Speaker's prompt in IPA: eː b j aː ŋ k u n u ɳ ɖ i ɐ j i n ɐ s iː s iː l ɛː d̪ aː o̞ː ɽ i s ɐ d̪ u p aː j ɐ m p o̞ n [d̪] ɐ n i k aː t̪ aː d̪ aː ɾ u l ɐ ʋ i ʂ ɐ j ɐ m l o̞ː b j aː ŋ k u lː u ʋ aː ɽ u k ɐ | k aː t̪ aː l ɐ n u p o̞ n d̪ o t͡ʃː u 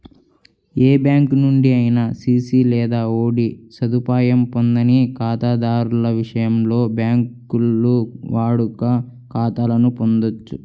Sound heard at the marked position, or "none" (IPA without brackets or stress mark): d̪